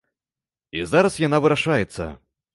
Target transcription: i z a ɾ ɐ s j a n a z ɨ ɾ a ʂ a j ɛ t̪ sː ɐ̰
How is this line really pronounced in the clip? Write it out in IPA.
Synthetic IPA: i z a ɾ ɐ s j a n a v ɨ ɾ a ʂ a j ɛ t̪ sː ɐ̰